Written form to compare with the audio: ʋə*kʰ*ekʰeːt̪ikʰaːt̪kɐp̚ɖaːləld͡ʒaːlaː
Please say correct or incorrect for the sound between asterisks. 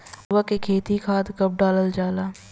incorrect